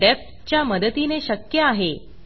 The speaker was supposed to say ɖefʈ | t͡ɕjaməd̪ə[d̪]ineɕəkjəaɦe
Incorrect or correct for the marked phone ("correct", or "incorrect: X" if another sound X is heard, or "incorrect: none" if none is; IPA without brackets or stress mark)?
incorrect: t̪